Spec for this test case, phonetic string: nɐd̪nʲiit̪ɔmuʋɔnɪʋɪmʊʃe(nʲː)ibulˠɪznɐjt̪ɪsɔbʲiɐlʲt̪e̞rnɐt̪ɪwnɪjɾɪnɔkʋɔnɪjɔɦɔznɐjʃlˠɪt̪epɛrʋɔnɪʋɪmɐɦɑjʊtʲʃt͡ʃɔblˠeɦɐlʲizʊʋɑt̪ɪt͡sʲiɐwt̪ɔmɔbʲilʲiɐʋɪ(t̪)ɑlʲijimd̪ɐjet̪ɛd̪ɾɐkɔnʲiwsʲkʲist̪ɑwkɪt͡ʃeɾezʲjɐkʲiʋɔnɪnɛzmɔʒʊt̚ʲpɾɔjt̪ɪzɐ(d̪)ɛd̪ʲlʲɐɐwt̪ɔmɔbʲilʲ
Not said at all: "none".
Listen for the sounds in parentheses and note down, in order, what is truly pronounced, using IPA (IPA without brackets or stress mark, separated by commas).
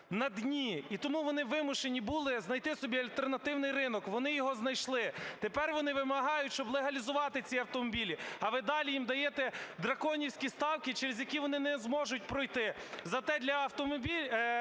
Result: nʲ, d̪, t̪